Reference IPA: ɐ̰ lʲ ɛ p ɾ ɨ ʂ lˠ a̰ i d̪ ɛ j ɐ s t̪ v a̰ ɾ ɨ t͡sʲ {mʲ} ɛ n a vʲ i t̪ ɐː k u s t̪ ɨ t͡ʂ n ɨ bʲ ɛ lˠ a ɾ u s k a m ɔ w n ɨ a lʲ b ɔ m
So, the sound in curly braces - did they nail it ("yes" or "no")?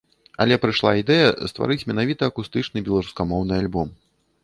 yes